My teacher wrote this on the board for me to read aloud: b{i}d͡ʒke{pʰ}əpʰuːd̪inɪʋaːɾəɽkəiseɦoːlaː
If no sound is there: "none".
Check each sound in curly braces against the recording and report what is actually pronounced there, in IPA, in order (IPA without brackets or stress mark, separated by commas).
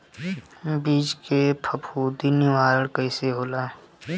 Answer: iː, pʰ